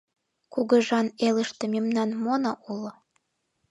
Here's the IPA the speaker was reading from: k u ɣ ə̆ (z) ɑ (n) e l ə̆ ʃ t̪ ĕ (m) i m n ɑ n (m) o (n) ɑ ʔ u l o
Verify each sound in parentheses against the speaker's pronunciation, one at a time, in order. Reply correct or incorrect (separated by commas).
incorrect, correct, correct, correct, correct